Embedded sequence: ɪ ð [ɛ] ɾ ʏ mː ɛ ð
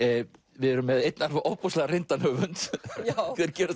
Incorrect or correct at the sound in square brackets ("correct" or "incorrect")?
correct